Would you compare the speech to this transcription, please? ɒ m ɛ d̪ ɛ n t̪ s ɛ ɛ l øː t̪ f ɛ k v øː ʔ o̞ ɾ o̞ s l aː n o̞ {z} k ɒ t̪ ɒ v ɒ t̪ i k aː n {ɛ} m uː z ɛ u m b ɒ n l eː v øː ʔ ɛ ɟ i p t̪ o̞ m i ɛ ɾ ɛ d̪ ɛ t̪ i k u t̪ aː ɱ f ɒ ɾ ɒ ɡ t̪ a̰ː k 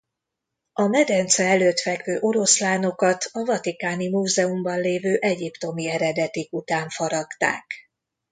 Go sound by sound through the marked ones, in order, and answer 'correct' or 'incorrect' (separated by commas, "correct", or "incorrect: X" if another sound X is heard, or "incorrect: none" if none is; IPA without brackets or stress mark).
incorrect: none, incorrect: i